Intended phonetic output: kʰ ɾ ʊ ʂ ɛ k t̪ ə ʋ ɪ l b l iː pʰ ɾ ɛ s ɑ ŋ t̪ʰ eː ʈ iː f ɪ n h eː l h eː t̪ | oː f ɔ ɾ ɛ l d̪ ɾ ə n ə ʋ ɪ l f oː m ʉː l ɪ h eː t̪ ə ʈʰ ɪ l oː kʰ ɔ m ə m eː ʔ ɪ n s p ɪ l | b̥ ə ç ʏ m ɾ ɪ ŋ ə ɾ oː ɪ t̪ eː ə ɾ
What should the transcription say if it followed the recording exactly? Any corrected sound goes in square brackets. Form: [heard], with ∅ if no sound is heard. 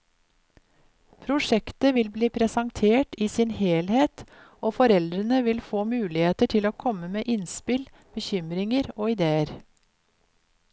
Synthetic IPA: [pʰ] ɾ ʊ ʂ ɛ k t̪ ə ʋ ɪ l b l iː pʰ ɾ ɛ s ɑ ŋ t̪ʰ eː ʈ iː [s] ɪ n h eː l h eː t̪ | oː f ɔ ɾ ɛ l d̪ ɾ ə n ə ʋ ɪ l f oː m ʉː l ɪ h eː t̪ ə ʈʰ ɪ l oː kʰ ɔ m ə m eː ʔ ɪ n s p ɪ l | b̥ ə ç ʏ m ɾ ɪ ŋ ə ɾ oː ɪ [d̪] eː ə ɾ